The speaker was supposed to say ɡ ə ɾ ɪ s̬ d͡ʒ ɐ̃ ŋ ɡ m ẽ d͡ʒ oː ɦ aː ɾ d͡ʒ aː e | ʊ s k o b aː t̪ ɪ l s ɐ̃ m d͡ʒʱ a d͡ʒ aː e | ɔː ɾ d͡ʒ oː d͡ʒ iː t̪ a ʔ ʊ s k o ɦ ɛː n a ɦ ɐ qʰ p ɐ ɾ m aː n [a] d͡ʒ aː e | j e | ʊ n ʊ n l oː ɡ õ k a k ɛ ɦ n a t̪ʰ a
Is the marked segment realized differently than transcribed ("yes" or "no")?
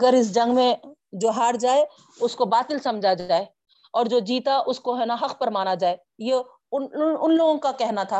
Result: no